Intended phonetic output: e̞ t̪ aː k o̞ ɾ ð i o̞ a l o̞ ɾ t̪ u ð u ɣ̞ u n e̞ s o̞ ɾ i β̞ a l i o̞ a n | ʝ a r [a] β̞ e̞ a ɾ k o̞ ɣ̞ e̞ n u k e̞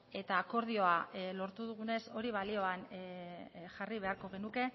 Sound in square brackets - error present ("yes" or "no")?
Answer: yes